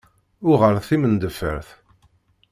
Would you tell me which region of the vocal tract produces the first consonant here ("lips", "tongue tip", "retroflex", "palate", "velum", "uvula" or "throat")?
uvula